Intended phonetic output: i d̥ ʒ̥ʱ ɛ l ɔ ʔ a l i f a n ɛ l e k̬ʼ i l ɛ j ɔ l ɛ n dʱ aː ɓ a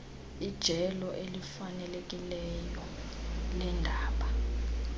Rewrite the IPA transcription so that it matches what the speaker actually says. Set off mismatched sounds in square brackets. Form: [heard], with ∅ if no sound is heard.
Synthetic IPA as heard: i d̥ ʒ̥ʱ ɛ l ɔ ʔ [e] l i f a n ɛ l e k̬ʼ i l ɛ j ɔ l ɛ n dʱ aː ɓ a

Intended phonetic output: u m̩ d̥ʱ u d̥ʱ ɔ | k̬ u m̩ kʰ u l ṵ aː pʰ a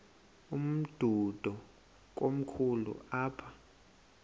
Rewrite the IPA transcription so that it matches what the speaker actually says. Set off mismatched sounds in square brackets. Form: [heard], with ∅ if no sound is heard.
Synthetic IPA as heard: u m̩ d̥ʱ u d̥ʱ ɔ | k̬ [o] m̩ kʰ u l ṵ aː pʰ a

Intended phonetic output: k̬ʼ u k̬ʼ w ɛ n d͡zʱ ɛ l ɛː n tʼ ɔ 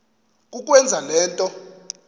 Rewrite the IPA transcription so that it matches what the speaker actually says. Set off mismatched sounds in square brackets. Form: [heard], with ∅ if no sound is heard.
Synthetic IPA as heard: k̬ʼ u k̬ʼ w ɛ n d͡zʱ [a] l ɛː n tʼ ɔ

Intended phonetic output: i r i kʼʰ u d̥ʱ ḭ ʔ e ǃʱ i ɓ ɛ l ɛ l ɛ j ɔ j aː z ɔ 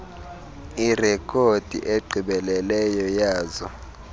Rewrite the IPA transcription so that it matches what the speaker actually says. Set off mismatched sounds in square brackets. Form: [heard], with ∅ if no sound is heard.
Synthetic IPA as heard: i r [ɛ] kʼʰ [o] d̥ʱ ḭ ʔ e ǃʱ i ɓ ɛ l ɛ l ɛ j ɔ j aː z ɔ

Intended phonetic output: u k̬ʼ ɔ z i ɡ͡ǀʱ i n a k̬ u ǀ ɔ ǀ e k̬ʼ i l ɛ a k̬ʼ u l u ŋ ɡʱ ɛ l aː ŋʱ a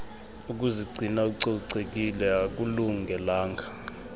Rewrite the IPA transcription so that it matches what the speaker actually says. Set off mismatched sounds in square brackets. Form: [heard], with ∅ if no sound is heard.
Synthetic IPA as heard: u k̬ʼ [u] z i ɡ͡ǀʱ i n a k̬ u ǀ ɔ ǀ e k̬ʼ i l ɛ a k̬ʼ u l u ŋ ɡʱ ɛ l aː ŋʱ a

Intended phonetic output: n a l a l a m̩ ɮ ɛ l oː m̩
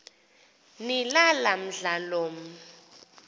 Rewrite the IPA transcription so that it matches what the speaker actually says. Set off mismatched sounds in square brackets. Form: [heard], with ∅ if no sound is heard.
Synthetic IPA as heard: n [i] l a l a m̩ ɮ [a] l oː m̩

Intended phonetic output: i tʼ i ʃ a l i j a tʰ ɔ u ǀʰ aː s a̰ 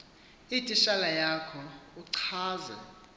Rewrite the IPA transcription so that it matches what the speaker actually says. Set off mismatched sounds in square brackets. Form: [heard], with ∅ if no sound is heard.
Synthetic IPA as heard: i tʼ i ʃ a l [a] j a [kʰ] ɔ u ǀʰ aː [z] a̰

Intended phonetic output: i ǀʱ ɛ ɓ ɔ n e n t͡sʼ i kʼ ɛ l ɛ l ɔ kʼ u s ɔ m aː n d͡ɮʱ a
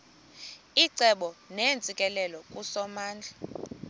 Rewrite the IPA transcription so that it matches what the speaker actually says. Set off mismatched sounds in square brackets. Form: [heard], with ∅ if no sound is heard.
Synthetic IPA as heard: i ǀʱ ɛ ɓ ɔ n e n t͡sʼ i kʼ ɛ l ɛ l ɔ kʼ u s ɔ m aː n d͡ɮʱ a

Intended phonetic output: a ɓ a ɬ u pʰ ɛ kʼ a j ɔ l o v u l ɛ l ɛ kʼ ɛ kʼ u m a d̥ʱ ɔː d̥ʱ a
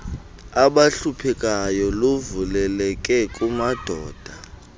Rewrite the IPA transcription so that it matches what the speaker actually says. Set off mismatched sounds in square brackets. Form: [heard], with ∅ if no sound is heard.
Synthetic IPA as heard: a ɓ a ɬ u pʰ ɛ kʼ a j ɔ l o v u l ɛ l ɛ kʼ ɛ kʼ u m a d̥ʱ ɔː d̥ʱ a

